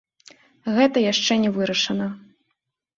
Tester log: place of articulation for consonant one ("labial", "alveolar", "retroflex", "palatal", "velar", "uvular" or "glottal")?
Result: velar